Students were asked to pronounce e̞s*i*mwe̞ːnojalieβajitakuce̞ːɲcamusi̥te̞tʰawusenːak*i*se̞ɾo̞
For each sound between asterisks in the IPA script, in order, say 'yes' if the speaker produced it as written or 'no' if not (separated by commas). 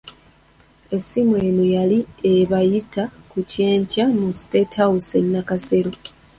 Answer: yes, no